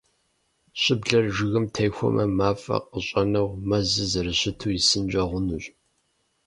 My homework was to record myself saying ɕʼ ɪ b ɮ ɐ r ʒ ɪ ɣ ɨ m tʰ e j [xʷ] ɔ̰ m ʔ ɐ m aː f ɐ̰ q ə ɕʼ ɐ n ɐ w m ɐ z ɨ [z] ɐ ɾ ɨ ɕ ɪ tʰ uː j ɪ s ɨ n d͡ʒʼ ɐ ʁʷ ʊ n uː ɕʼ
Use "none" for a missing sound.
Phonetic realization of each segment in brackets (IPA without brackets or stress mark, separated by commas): xʷ, z